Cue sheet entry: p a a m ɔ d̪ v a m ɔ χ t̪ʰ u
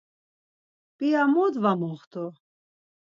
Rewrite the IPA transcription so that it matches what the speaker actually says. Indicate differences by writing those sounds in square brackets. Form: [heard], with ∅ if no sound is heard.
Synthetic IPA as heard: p [i] a m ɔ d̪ v a m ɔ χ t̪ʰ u